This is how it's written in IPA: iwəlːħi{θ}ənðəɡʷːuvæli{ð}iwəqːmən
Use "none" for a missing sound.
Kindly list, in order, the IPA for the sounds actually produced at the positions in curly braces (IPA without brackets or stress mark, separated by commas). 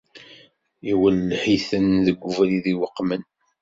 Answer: θ, ð